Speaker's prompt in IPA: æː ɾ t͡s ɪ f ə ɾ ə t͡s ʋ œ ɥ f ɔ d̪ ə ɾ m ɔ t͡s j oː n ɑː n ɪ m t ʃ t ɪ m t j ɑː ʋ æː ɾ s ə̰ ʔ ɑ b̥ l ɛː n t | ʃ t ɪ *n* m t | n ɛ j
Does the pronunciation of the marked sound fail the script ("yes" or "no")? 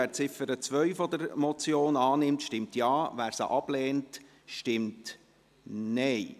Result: yes